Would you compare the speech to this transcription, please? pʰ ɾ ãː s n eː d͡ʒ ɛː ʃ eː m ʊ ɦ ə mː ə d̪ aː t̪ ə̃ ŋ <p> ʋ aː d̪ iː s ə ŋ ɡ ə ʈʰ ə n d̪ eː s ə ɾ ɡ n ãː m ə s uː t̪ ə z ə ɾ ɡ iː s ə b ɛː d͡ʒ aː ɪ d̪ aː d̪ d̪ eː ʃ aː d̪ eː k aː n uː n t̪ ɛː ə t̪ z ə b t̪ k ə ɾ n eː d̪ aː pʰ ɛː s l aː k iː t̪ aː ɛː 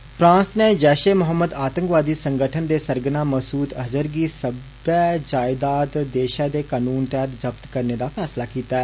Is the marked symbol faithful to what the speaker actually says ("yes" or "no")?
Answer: no